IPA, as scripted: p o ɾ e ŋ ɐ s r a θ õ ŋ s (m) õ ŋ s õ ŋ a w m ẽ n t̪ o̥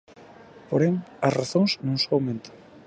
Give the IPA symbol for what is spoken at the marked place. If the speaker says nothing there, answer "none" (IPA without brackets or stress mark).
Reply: n